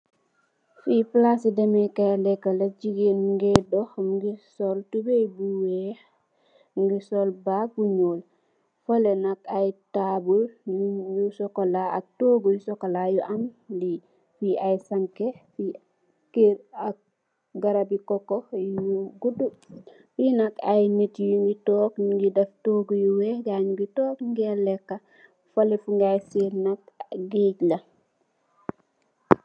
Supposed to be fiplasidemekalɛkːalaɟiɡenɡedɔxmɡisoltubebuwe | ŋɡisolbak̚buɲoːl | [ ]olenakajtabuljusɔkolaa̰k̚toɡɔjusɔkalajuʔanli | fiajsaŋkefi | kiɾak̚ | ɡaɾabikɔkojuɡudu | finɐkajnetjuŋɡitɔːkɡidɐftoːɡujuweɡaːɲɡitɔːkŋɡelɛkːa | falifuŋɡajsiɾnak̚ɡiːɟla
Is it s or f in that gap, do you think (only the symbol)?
f